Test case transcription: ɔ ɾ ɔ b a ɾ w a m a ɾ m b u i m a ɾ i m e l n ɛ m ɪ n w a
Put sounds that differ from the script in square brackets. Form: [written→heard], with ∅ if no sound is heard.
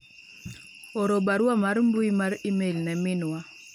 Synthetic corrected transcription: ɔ ɾ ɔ b a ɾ w a m a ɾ m b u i m a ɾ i m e l n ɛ m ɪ n w a